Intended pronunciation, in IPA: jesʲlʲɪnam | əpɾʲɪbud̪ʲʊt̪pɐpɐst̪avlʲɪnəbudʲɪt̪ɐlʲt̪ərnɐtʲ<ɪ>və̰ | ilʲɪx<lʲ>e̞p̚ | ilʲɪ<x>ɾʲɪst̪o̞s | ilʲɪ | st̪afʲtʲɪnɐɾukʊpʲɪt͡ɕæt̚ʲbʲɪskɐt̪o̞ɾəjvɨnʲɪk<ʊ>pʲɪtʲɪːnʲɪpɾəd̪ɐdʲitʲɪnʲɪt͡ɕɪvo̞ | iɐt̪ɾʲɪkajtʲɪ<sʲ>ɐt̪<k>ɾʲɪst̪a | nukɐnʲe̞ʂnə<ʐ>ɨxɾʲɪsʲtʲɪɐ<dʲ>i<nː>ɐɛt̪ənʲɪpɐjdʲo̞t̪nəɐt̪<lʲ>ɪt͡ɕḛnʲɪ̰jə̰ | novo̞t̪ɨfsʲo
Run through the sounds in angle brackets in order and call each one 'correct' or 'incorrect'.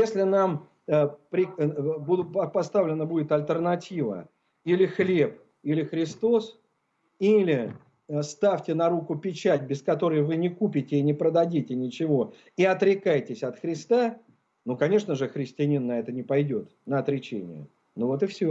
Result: incorrect, correct, correct, incorrect, correct, incorrect, correct, incorrect, correct, incorrect

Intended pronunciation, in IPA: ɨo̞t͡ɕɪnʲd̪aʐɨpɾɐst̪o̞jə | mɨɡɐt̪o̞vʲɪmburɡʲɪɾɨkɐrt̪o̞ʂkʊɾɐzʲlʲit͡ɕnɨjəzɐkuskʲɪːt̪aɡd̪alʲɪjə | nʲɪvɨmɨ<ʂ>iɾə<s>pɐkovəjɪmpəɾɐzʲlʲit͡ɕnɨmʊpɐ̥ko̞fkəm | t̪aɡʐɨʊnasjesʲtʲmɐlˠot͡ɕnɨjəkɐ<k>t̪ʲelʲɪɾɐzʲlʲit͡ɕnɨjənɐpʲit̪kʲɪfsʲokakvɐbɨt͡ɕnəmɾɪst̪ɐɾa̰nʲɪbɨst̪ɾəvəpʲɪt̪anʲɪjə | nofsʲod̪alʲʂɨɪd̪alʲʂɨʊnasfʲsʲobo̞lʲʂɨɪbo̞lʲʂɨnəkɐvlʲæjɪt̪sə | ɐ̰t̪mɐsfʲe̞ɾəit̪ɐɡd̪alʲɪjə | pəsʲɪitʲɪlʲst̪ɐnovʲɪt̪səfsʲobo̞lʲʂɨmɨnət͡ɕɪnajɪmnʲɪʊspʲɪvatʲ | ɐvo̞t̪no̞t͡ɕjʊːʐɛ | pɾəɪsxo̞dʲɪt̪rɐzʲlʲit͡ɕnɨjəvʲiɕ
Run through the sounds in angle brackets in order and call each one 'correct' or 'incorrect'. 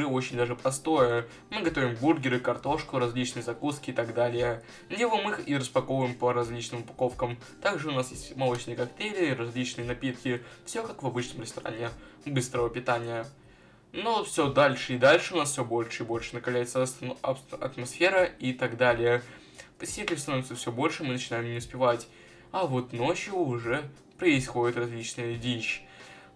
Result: incorrect, correct, correct

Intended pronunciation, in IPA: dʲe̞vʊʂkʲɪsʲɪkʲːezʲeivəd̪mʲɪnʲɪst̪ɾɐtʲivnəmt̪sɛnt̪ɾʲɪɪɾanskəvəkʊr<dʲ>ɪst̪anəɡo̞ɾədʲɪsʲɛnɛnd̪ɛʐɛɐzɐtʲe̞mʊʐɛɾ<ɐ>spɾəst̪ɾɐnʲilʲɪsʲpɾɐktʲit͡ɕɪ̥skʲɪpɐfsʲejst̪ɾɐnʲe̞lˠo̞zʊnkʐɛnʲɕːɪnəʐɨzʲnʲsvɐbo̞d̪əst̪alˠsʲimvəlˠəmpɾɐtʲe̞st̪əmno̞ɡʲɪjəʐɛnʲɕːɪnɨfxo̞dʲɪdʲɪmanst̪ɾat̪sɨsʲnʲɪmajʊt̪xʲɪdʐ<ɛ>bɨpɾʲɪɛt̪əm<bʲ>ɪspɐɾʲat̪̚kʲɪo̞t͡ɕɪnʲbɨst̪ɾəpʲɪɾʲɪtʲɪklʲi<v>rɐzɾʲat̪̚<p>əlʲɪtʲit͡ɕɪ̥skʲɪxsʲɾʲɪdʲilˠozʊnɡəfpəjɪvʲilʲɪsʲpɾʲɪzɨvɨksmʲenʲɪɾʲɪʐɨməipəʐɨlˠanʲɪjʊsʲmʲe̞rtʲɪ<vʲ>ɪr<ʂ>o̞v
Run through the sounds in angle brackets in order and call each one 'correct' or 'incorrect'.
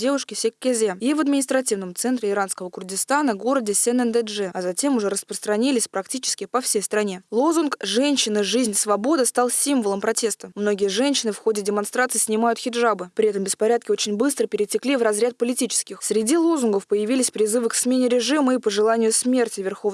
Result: correct, incorrect, incorrect, correct, correct, correct, correct, incorrect

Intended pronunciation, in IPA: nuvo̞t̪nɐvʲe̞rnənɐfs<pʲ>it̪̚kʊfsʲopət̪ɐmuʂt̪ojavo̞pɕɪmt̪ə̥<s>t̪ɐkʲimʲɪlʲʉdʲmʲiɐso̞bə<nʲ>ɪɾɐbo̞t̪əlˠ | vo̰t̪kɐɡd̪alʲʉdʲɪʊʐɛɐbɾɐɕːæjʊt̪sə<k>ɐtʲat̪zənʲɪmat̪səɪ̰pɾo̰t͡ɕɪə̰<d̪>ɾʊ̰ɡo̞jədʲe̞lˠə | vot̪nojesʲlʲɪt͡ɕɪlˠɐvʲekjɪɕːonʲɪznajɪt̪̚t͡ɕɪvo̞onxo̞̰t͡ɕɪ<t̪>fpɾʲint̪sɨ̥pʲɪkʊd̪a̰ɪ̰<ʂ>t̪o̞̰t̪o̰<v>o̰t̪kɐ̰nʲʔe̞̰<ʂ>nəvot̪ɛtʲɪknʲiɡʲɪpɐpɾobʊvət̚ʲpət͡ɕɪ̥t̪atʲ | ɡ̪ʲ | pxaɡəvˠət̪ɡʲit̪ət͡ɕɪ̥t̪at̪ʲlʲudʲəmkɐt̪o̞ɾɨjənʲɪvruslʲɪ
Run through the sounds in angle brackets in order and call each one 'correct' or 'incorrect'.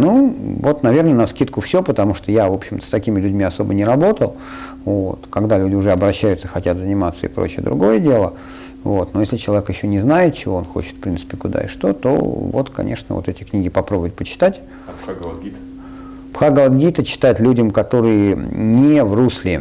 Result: incorrect, correct, correct, incorrect, correct, correct, correct, correct, correct

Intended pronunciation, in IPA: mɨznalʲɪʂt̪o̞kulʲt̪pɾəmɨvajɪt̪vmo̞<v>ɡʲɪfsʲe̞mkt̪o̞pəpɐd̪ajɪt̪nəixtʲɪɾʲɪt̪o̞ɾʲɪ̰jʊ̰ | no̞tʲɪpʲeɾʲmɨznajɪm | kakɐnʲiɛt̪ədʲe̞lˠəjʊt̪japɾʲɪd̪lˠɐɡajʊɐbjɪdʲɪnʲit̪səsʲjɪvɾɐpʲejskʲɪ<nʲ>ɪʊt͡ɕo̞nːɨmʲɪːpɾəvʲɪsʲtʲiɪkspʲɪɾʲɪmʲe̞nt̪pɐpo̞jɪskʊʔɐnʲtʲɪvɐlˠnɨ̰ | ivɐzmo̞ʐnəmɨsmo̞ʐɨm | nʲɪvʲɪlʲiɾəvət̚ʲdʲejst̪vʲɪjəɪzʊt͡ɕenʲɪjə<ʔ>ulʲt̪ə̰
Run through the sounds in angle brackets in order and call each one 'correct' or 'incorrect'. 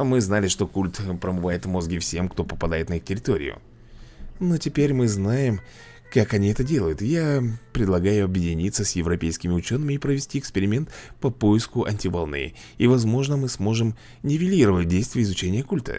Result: incorrect, incorrect, incorrect

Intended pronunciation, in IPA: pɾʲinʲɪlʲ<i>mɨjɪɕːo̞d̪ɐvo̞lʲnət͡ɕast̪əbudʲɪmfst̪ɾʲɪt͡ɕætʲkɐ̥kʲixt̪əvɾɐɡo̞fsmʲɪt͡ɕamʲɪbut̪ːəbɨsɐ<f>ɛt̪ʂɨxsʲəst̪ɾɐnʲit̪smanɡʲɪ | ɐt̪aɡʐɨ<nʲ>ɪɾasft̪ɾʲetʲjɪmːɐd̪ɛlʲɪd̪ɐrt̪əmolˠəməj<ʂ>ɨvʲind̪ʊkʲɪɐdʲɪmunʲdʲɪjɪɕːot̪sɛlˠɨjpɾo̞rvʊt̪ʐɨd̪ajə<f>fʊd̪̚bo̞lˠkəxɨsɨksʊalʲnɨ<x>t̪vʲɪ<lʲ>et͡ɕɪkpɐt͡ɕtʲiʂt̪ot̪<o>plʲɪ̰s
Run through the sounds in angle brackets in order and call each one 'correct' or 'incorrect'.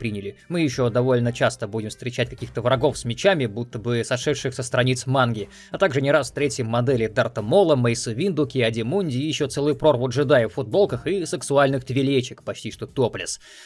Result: incorrect, incorrect, correct, incorrect, correct, correct, correct, correct

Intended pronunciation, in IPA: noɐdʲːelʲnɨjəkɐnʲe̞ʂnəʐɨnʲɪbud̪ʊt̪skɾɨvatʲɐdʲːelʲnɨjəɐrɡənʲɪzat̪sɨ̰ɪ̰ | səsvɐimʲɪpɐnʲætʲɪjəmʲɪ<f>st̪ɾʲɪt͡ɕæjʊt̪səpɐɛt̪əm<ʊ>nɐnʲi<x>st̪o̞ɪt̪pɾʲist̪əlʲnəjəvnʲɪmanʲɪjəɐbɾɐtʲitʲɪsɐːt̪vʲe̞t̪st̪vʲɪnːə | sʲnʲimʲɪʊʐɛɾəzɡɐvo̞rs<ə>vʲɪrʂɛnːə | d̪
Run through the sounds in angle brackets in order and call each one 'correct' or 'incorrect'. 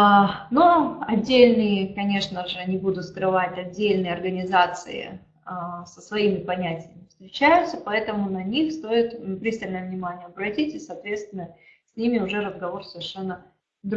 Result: correct, correct, correct, correct

